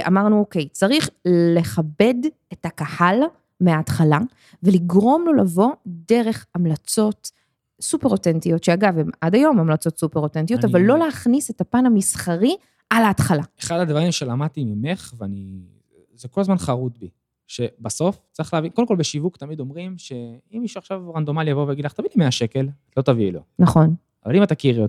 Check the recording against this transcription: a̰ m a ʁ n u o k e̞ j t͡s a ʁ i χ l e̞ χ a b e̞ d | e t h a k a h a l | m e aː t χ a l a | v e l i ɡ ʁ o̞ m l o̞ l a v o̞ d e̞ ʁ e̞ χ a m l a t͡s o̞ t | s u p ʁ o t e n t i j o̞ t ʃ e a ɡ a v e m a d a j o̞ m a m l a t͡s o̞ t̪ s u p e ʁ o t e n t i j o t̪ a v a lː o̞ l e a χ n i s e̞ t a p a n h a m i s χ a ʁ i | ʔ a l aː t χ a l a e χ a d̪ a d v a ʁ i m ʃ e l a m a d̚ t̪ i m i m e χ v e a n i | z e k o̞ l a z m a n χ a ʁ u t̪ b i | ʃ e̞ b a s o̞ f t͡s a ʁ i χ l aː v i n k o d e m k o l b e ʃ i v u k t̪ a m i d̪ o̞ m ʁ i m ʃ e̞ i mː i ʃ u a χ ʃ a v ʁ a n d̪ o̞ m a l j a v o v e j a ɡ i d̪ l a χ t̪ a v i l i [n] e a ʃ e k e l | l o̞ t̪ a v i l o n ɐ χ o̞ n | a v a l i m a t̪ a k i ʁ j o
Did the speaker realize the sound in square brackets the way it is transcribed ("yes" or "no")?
no